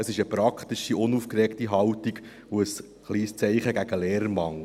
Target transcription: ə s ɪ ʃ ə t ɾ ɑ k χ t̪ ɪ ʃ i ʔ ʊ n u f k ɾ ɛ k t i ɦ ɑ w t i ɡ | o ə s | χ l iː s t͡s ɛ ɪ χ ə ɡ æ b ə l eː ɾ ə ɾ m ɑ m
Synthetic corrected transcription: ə s ɪ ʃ ə p ɾ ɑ k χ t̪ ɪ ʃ i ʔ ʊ n u f k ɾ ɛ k t i ɦ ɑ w t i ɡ | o ə s | χ l iː s t͡s ɛ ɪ χ ə ɡ æ ɡ ə l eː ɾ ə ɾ m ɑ ŋ